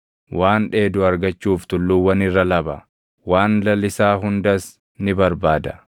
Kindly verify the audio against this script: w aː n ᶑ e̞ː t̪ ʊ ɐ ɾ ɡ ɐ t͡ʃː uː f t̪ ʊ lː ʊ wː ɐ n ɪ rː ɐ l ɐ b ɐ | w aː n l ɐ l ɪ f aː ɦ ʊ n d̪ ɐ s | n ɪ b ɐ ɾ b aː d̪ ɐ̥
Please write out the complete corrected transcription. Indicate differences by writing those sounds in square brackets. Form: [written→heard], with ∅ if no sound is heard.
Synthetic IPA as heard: w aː n ᶑ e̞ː [t̪→d̪] ʊ ɐ ɾ ɡ ɐ t͡ʃː uː f t̪ ʊ lː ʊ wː ɐ n ɪ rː ɐ l ɐ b ɐ | w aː n l ɐ l ɪ [f→s] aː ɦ ʊ n d̪ ɐ s | n ɪ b ɐ ɾ b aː d̪ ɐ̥